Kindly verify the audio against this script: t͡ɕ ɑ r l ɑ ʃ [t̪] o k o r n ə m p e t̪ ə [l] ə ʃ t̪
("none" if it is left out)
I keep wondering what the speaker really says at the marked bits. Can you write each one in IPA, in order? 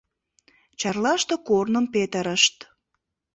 t̪, ɾ

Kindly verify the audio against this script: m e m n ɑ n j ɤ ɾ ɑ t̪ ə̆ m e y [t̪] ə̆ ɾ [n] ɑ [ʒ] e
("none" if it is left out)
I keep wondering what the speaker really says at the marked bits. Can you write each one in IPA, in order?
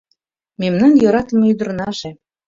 d̪, n, ʒ

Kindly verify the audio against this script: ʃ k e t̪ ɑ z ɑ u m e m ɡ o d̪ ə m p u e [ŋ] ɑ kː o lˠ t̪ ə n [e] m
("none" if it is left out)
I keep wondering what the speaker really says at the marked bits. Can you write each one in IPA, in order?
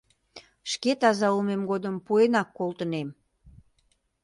n, e

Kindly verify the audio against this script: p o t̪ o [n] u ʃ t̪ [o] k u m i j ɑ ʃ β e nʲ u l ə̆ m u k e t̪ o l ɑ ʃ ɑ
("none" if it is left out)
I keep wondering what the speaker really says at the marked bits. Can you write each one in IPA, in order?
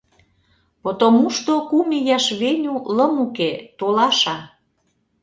m, o

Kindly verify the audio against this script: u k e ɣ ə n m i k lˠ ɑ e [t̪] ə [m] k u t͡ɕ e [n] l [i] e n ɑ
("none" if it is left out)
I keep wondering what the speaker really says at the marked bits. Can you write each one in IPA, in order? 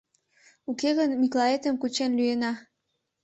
t̪, m, n, y

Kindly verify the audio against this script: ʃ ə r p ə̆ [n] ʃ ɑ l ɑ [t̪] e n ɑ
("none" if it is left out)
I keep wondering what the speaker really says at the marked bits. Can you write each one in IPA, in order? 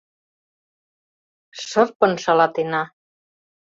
n, t̪

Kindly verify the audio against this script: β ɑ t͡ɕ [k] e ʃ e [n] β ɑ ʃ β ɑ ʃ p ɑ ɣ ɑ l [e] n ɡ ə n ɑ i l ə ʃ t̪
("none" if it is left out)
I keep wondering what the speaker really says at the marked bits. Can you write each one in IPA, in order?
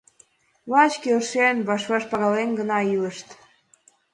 k, n, e

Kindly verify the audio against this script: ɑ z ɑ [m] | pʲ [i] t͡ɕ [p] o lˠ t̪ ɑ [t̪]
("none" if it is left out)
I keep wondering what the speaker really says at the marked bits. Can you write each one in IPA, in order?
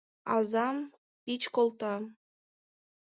m, i, k, none

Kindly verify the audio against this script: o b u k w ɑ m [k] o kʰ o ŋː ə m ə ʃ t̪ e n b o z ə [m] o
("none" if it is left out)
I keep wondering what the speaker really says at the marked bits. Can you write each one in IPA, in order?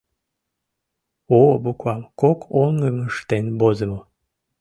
k, m

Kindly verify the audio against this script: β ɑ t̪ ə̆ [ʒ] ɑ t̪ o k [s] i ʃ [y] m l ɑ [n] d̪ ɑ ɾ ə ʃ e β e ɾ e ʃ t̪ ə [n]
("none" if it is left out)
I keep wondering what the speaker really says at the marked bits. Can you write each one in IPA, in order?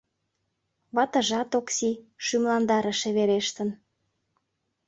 ʒ, s, y, n, n

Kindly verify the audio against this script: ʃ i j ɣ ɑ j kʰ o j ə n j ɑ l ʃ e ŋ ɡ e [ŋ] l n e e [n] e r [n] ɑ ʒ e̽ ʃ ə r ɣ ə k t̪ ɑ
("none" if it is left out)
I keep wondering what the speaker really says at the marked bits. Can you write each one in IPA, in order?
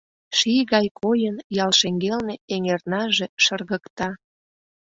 none, ŋ, n

